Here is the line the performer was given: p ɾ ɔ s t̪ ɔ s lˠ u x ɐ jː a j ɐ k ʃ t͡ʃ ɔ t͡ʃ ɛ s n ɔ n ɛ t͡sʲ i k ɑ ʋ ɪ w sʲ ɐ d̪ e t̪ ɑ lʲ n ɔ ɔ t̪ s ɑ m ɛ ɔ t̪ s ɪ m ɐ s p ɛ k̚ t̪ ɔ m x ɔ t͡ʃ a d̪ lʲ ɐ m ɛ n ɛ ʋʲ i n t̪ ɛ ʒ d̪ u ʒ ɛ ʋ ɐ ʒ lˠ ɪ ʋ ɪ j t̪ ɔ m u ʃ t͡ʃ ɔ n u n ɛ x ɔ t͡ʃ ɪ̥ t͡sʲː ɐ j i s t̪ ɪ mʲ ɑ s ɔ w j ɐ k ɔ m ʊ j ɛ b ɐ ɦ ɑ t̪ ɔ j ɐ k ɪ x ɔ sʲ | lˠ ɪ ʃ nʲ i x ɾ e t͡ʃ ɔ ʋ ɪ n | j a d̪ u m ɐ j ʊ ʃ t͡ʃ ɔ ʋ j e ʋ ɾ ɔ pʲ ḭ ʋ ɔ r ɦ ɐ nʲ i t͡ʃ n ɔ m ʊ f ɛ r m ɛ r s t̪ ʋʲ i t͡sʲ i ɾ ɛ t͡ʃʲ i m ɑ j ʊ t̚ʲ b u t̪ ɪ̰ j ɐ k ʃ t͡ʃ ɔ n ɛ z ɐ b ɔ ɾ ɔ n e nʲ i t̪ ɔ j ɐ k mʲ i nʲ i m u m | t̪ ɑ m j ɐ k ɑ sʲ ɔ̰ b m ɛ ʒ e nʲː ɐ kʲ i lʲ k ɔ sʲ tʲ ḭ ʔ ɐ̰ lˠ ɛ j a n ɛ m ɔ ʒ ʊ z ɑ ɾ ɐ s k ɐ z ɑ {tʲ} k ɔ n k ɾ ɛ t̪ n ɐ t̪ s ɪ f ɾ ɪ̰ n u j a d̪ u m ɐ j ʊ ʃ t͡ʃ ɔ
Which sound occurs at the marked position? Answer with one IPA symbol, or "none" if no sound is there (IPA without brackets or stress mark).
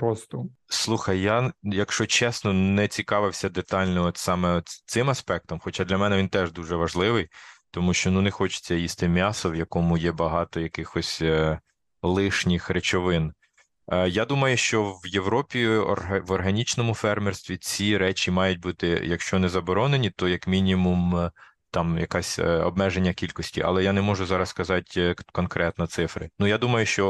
tʲ